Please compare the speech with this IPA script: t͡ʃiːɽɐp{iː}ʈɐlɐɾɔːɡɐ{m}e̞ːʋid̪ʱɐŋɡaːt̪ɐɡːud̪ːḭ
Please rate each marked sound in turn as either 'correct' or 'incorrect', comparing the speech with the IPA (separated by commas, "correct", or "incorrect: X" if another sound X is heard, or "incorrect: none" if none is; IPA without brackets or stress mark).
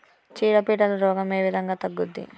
correct, correct